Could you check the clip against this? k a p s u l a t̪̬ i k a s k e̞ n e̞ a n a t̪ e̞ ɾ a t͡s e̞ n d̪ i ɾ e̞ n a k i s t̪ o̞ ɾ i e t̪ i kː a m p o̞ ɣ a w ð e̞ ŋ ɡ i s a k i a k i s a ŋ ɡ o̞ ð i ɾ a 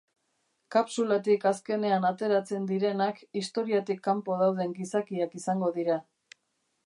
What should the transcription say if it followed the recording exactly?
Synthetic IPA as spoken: k a p s u l a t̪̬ i k a s k e̞ n e̞ a n a t̪ e̞ ɾ a t͡s e̞ n d̪ i ɾ e̞ n a k i s t̪ o̞ ɾ i a t̪ i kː a m p o̞ ð a w ð e̞ ŋ ɡ i s a k i a k i s a ŋ ɡ o̞ ð i ɾ a

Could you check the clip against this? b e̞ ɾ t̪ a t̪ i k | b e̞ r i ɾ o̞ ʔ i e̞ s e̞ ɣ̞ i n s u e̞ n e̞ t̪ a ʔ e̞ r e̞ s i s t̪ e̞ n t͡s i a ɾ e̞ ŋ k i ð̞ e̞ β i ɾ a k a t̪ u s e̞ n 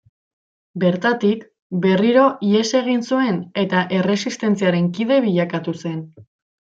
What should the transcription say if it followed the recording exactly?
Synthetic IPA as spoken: b e̞ ɾ t̪ a t̪ i k | b e̞ r i ɾ o̞ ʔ i e̞ s e̞ ɣ̞ i n s u e̞ n e̞ t̪ a ʔ e̞ r e̞ s i s t̪ e̞ n t͡s i a ɾ e̞ ŋ k i ð̞ e̞ β i ʎ a k a t̪ u s e̞ n

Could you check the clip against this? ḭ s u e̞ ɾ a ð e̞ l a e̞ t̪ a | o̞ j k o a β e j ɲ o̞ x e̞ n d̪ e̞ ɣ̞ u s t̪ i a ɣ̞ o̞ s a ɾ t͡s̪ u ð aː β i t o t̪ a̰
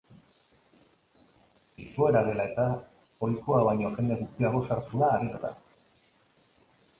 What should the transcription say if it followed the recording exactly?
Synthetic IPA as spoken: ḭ s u e̞ ɾ a ð e̞ l a e̞ t̪ a | o̞ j k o a β a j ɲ o̞ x e̞ n d̪ e̞ ɣ̞ u s t̪ i a ɣ̞ o̞ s a ɾ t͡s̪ u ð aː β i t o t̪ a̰

